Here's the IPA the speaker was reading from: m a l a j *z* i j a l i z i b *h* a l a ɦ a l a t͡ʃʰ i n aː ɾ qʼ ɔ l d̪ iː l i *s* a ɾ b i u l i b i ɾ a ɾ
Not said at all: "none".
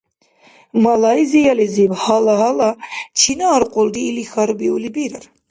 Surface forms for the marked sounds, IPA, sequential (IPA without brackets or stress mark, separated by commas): z, h, x